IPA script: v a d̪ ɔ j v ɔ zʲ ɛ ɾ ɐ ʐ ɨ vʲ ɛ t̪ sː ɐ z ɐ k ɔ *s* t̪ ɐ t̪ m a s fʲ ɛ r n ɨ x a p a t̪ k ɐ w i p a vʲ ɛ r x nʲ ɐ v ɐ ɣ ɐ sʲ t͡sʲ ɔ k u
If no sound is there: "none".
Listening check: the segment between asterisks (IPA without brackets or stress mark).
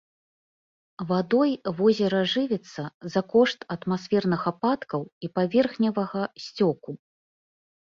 ʂ